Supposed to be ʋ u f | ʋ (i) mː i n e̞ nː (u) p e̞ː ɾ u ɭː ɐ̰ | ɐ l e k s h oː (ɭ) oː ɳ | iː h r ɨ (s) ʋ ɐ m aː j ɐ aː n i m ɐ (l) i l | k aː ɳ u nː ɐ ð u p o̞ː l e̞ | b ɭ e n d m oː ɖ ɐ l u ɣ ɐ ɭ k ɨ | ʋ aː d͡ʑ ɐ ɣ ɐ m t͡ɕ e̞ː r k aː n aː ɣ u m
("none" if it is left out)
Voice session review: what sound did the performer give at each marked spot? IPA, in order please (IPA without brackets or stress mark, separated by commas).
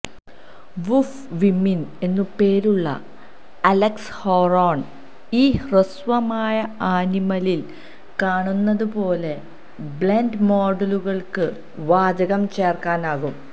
i, u, r, s, l